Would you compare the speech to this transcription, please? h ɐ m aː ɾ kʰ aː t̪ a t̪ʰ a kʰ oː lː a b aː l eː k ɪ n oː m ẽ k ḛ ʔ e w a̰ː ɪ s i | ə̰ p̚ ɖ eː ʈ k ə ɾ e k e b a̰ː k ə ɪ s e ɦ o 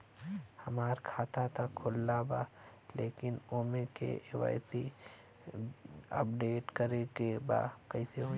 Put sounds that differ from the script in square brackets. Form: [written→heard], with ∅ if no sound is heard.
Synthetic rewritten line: h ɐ m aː ɾ kʰ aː t̪ a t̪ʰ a kʰ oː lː a b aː l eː k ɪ n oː m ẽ k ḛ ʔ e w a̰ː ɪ s i | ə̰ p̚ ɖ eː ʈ k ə ɾ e k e b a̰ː k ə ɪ s e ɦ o